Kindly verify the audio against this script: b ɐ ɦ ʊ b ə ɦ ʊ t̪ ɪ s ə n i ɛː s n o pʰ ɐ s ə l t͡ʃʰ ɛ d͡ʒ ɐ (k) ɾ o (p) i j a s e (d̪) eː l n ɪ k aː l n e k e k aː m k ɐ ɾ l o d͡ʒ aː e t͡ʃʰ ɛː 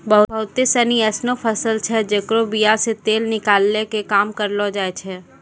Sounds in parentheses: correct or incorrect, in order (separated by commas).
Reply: correct, incorrect, incorrect